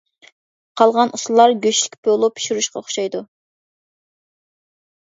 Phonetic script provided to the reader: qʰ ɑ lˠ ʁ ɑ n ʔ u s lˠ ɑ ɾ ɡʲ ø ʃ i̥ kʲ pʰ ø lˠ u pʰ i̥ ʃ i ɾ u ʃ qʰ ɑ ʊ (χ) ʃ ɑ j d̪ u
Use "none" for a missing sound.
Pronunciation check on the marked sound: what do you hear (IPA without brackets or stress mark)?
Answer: χ